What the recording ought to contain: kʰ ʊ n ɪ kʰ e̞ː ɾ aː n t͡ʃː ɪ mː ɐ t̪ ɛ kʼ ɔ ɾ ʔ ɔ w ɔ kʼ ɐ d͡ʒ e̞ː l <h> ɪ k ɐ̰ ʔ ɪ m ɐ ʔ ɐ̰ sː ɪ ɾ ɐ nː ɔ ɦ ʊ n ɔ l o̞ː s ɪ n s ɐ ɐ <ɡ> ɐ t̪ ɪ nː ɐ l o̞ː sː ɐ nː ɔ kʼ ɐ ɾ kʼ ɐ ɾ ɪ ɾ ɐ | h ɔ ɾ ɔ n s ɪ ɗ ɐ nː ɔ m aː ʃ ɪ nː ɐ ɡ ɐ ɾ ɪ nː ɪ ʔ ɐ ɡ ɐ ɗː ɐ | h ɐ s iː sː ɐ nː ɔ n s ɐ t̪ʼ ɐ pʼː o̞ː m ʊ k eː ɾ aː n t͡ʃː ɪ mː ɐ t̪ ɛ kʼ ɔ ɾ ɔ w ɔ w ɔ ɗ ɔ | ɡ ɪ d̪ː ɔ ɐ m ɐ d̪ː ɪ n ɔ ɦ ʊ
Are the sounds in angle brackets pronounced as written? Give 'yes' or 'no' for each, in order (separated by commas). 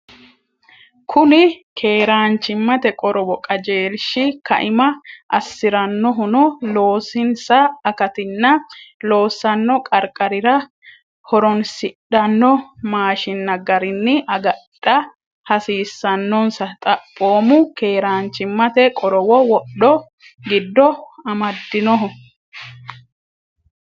no, no